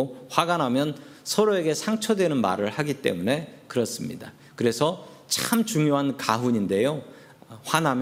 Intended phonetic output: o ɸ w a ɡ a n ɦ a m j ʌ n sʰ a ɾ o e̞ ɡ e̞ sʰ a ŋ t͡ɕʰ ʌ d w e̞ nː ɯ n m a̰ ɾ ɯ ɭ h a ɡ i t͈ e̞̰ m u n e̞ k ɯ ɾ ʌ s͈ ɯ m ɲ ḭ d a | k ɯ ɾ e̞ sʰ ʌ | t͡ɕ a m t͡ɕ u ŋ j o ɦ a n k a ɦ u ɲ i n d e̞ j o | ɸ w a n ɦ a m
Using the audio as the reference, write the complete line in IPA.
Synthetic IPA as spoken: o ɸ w a ɡ a n ɦ a m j ʌ n sʰ ʌ ɾ o e̞ ɡ e̞ sʰ a ŋ t͡ɕʰ ʌ d w e̞ n ɯ n m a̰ ɾ ɯ ɭ h a ɡ i t͈ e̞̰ m u n e̞ k ɯ ɾ ʌ s͈ ɯ m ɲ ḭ d a | k ɯ ɾ e̞ sʰ ʌ | t͡ɕ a m t͡ɕ u ŋ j o ɦ a n k a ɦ u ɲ i n d e̞ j o | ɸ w a n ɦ a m